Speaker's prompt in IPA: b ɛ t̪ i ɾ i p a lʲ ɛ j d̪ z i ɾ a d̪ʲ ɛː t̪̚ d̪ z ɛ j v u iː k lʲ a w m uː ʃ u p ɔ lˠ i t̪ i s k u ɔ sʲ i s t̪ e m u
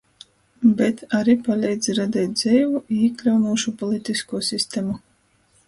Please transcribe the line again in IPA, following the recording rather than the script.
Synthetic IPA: b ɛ t̪ a ɾ i p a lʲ ɛ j d̪ z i ɾ a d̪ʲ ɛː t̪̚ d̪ z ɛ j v u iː k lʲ a w n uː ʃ u p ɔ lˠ i t̪ i s k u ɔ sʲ i s t̪ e m u